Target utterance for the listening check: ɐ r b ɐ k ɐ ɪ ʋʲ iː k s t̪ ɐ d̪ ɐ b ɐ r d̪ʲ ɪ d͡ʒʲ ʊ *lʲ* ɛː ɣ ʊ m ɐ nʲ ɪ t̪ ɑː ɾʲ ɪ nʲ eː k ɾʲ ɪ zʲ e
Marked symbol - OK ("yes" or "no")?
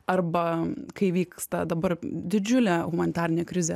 yes